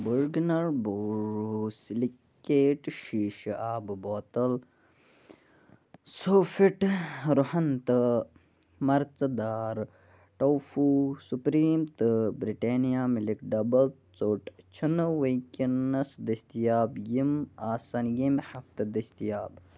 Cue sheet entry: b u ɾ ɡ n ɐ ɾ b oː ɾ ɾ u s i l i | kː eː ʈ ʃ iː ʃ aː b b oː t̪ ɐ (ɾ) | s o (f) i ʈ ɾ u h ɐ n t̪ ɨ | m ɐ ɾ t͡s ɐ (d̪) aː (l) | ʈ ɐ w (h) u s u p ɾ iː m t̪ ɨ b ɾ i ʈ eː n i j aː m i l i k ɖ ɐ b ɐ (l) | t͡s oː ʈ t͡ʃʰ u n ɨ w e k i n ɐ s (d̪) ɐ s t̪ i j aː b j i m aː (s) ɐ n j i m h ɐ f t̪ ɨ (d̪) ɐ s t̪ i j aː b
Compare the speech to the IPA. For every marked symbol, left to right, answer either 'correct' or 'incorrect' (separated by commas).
incorrect, correct, correct, incorrect, incorrect, correct, correct, correct, correct